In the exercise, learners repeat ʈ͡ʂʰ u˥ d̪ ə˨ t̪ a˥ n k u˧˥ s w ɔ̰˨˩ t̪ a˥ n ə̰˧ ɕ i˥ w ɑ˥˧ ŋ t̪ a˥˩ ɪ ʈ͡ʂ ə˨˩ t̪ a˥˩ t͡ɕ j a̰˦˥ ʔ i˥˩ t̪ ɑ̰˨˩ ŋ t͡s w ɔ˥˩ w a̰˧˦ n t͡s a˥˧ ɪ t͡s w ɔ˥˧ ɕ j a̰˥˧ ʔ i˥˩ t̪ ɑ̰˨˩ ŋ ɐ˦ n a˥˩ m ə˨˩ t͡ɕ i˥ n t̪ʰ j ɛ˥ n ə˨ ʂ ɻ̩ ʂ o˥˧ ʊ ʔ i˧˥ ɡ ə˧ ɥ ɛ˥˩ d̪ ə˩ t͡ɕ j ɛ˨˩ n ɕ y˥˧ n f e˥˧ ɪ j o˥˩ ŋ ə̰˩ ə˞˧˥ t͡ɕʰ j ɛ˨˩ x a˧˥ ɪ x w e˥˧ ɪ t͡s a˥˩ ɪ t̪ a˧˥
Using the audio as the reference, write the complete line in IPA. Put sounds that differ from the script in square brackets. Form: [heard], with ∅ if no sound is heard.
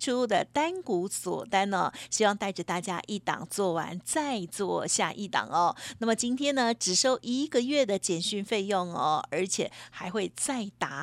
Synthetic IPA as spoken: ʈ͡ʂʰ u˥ d̪ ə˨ t̪ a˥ n k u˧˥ s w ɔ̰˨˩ t̪ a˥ n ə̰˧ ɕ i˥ w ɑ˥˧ ŋ t̪ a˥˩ ɪ ʈ͡ʂ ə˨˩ t̪ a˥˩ t͡ɕ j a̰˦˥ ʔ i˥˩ t̪ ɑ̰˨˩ ŋ t͡s w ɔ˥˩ w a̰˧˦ n t͡s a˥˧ ɪ t͡s w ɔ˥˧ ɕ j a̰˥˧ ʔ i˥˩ t̪ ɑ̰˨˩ ŋ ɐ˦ n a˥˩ m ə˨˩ t͡ɕ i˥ n t̪ʰ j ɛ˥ n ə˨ [ʈ͡ʂ] ɻ̩ ʂ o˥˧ ʊ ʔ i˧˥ ɡ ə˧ ɥ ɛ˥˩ d̪ ə˩ t͡ɕ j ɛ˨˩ n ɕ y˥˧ n f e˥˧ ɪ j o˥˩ ŋ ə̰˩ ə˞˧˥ t͡ɕʰ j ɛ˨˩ x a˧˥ ɪ x w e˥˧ ɪ t͡s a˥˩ ɪ t̪ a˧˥